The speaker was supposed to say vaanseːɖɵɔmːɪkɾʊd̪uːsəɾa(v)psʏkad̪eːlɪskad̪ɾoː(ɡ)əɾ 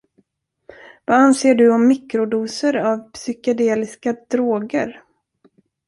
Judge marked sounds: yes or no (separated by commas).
yes, yes